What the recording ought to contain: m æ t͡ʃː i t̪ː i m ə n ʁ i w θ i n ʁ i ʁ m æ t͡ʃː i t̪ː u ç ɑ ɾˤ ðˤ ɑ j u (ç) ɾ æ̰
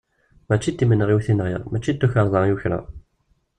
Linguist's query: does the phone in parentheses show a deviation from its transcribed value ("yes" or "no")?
no